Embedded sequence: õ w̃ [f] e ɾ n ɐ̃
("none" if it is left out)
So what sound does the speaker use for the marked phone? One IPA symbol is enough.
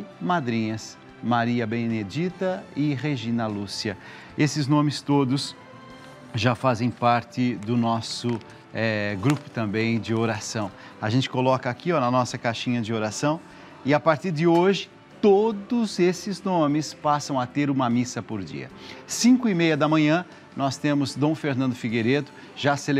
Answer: f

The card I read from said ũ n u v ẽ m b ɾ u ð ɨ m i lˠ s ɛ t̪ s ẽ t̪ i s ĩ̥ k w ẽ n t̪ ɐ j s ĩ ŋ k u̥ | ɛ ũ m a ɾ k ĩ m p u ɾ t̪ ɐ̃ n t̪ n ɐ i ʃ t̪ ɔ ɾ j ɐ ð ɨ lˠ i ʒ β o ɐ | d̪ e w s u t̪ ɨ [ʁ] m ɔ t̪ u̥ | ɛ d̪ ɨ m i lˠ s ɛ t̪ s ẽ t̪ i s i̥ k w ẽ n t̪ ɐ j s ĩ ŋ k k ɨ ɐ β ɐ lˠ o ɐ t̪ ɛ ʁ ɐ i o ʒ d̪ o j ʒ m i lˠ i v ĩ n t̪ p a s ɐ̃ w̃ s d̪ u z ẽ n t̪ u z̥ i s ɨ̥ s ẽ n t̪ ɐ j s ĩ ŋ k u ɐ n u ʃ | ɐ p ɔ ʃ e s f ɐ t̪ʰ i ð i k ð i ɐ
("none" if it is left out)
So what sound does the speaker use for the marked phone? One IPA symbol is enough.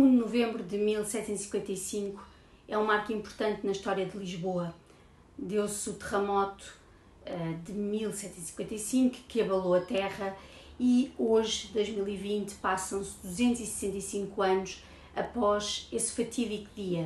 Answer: ʁ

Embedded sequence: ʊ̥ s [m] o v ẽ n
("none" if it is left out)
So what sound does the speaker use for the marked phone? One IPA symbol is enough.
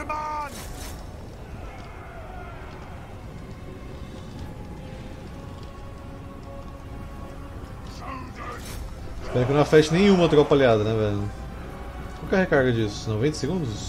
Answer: n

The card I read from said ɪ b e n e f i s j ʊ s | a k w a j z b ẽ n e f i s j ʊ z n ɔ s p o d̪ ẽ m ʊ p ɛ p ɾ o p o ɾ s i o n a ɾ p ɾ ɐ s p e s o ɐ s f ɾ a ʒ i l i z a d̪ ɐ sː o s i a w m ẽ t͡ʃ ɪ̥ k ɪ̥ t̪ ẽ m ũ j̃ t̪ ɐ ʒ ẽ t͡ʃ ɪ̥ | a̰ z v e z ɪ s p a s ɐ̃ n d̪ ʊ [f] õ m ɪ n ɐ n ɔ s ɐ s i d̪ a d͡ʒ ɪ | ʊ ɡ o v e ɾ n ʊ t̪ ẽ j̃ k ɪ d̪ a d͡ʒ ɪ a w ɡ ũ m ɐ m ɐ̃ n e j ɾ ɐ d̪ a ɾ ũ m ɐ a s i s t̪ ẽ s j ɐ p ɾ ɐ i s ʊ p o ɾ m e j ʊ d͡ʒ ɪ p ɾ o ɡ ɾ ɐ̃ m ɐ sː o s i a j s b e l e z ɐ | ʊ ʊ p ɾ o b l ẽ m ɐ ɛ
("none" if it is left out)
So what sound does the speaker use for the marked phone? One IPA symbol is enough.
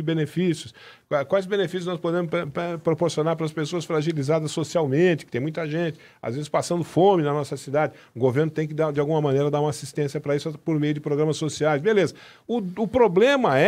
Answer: f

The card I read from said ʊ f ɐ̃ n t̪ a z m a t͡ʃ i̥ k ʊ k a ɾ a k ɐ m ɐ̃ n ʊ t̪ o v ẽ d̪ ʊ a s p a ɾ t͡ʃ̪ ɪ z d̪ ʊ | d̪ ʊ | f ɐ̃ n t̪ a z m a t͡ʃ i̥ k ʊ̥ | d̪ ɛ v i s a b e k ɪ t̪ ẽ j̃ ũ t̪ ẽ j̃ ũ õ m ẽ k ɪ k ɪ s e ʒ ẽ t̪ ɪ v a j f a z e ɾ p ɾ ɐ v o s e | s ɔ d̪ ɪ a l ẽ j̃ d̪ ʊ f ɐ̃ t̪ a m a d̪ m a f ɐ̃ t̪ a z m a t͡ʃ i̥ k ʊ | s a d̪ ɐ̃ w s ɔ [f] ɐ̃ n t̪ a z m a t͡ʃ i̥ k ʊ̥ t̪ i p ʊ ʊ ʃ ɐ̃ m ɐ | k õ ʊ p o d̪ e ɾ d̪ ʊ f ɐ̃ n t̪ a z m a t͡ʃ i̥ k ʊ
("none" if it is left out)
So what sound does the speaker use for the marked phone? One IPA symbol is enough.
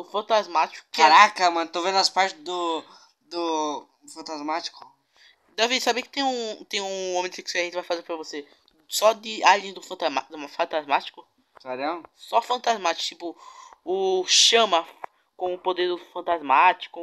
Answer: f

